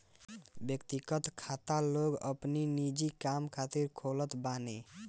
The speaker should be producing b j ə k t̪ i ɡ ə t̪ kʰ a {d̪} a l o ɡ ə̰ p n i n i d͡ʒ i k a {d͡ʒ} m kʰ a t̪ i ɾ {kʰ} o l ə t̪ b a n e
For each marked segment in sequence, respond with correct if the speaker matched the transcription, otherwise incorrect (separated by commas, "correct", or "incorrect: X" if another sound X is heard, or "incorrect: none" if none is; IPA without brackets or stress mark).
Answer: incorrect: t̪, incorrect: none, correct